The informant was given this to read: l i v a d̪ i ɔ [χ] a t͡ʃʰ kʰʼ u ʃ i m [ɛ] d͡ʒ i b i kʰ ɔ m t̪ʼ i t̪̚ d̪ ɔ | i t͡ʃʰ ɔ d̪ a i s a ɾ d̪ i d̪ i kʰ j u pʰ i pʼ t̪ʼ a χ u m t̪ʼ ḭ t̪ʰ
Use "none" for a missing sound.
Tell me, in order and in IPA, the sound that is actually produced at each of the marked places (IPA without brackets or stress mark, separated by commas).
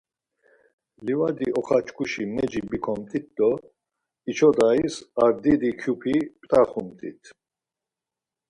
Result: χ, ɛ